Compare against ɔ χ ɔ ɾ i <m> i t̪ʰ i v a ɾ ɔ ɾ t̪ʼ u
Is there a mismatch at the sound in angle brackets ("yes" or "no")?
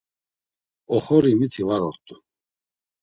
no